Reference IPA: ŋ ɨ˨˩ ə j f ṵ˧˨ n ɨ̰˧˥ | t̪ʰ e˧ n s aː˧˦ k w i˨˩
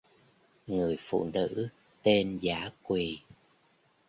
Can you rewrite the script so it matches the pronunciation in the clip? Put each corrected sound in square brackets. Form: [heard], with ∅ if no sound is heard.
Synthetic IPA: ŋ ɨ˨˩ ə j f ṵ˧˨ n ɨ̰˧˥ | [t̪] e˧ n [z] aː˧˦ k w i˨˩